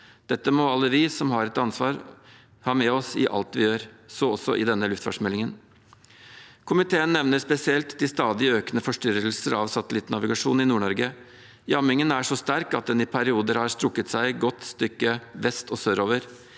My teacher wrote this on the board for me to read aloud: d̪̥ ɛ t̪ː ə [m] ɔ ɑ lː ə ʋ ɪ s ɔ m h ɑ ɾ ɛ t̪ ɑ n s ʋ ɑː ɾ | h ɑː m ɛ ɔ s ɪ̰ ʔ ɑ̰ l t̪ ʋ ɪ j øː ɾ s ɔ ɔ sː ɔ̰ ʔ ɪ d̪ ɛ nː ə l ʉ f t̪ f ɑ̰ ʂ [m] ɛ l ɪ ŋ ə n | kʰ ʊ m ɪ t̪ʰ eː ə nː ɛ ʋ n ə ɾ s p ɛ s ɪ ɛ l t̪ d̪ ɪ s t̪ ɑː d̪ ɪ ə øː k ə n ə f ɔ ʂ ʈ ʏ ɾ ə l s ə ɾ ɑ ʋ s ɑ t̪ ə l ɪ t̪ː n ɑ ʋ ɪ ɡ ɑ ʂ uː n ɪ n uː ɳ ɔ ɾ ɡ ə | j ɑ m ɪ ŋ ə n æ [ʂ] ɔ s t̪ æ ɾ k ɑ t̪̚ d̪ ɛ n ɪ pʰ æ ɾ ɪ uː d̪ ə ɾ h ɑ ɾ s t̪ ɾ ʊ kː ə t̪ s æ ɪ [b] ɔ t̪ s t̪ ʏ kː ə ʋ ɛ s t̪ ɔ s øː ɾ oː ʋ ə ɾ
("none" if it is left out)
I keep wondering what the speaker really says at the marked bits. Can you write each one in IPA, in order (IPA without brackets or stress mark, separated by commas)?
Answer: m, m, ʂ, ɡ